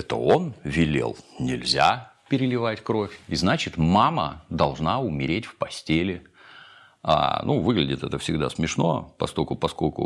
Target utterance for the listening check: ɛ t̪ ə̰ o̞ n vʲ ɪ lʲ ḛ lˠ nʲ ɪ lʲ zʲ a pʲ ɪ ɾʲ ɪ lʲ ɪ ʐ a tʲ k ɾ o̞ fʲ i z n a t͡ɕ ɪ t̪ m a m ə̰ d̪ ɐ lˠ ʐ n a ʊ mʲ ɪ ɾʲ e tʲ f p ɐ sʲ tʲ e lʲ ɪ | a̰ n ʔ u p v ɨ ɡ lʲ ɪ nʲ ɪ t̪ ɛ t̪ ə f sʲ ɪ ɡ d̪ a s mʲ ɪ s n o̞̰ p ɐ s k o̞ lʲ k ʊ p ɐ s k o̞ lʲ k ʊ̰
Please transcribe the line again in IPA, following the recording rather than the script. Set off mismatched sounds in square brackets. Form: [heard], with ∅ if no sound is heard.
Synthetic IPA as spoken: ɛ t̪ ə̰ o̞ n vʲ ɪ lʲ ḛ lˠ nʲ ɪ lʲ zʲ a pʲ ɪ ɾʲ ɪ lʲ ɪ [v] a tʲ k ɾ o̞ fʲ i z n a t͡ɕ ɪ t̪ m a m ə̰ d̪ ɐ lˠ ʐ n a ʊ mʲ ɪ ɾʲ e tʲ f p ɐ sʲ tʲ e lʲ ɪ | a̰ n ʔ u [∅] v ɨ ɡ lʲ ɪ [dʲ] ɪ t̪ ɛ t̪ ə f sʲ ɪ ɡ d̪ a s mʲ ɪ [ʂ] n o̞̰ p ɐ s k o̞ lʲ k ʊ p ɐ s k o̞ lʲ k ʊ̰